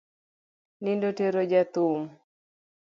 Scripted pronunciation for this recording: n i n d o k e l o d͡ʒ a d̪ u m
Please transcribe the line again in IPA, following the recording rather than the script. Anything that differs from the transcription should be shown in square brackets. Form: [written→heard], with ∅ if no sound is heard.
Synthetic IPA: n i n d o [k→t] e [l→ɾ] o d͡ʒ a [d̪→t̪] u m